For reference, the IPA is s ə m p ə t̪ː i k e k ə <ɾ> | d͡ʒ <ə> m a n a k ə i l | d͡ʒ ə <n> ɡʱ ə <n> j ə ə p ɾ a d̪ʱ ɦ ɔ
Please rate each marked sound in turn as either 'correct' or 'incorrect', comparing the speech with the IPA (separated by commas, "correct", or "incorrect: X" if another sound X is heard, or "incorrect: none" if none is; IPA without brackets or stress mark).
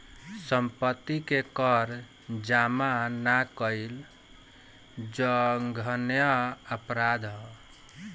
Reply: correct, incorrect: a, incorrect: ŋ, correct